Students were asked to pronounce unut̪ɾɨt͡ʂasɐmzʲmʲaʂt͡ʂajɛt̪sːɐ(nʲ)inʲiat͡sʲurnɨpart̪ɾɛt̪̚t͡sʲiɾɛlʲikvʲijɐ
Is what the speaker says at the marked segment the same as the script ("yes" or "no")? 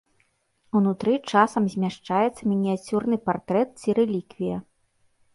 no